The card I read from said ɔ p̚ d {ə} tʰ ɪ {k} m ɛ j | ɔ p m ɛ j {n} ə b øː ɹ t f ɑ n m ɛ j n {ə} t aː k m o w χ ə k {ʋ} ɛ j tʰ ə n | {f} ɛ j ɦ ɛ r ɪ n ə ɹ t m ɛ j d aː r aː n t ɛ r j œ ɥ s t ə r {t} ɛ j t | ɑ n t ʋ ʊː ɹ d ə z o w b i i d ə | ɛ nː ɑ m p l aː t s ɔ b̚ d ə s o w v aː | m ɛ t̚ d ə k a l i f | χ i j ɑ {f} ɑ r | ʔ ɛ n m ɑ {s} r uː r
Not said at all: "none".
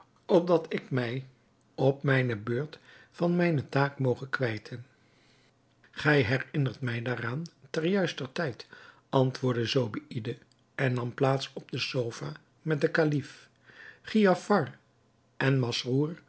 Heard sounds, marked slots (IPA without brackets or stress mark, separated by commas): ɑ, k, n, ə, ʋ, χ, t, f, s